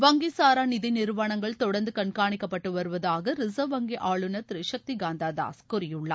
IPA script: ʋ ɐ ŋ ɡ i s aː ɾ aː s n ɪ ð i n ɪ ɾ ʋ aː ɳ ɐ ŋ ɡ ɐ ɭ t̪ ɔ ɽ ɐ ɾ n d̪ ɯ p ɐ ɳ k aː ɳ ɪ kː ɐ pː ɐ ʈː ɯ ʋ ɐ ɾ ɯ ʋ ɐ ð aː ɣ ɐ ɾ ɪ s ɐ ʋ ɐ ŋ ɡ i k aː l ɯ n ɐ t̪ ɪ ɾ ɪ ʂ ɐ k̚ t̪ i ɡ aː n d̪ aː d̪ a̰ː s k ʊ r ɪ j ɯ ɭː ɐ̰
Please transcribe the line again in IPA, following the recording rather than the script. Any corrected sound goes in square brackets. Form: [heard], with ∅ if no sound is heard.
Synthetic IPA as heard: ʋ ɐ ŋ ɡ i s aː ɾ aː [∅] n ɪ ð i n ɪ ɾ ʋ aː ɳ ɐ ŋ ɡ ɐ ɭ t̪ ɔ ɽ ɐ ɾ n d̪ ɯ [k] ɐ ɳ k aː ɳ ɪ kː ɐ pː ɐ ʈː ɯ ʋ ɐ ɾ ɯ ʋ ɐ ð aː ɣ ɐ ɾ ɪ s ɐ ʋ ɐ ŋ ɡ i [ʔ] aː [ɭ] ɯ n ɐ t̪ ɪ ɾ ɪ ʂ ɐ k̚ t̪ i ɡ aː n d̪ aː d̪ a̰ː s k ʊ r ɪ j ɯ ɭː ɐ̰